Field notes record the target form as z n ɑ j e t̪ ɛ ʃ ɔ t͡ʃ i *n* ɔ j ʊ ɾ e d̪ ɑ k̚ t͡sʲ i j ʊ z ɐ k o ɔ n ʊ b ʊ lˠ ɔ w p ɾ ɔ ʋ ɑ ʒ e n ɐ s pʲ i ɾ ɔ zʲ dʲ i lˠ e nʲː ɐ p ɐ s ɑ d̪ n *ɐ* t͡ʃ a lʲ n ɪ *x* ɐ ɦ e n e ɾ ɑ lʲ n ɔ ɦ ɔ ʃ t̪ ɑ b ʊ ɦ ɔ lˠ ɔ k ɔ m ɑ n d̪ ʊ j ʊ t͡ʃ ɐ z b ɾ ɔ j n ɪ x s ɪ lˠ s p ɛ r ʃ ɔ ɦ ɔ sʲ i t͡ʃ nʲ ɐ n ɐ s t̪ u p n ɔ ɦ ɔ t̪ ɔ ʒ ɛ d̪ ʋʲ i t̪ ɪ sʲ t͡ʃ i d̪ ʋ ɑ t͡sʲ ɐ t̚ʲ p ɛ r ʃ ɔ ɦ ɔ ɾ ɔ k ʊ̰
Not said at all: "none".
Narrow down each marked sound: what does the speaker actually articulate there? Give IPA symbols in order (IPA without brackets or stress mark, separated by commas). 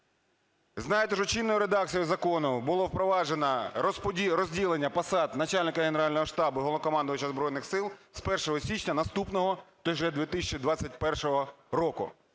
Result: nː, ɐ, k